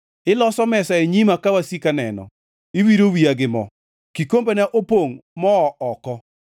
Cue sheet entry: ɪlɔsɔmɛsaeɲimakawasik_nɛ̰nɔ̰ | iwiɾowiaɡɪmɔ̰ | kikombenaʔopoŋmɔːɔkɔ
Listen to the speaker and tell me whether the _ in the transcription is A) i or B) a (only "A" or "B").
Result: B